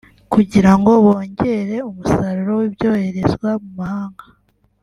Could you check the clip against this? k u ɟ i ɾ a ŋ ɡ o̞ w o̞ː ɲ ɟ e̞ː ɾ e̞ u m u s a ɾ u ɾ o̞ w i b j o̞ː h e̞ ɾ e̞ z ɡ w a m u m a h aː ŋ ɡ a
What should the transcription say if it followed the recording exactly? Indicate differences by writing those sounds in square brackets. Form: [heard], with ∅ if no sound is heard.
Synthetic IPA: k u ɟ i ɾ a ŋ ɡ o̞ [β] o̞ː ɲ ɟ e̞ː ɾ e̞ u m u s a ɾ u ɾ o̞ w i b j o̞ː h e̞ ɾ e̞ z ɡ w a m u m a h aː ŋ ɡ a